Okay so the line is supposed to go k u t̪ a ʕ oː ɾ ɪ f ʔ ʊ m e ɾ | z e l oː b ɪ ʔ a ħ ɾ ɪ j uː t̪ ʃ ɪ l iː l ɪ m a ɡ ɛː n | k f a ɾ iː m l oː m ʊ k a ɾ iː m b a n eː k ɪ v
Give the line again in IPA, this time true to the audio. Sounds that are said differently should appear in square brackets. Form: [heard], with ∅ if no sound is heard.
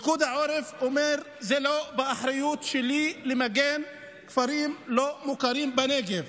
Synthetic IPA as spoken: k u [d̪] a ʕ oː ɾ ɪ f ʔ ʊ m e ɾ | z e l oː b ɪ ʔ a ħ ɾ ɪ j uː t̪ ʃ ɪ l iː l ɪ m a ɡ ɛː n | k f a ɾ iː m l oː m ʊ k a ɾ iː m b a n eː [ɡ] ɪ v